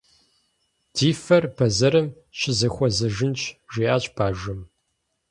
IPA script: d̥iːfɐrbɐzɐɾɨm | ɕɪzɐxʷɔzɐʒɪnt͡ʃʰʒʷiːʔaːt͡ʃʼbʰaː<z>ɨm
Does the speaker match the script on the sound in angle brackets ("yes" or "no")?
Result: no